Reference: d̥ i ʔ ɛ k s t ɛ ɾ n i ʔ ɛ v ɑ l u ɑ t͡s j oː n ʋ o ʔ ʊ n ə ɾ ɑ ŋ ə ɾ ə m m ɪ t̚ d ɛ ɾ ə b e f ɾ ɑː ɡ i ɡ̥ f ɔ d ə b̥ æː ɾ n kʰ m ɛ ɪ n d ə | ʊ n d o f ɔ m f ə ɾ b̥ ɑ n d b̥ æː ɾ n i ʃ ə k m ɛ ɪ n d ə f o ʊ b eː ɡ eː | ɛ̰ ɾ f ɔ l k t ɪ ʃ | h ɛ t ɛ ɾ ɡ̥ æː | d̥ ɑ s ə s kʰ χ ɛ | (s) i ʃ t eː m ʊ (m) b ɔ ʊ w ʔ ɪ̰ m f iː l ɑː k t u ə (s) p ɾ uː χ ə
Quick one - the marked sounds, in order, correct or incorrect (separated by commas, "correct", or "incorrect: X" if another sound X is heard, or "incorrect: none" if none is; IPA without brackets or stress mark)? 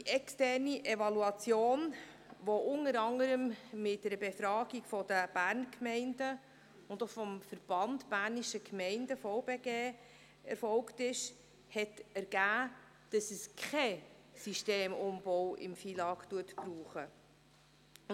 correct, correct, incorrect: t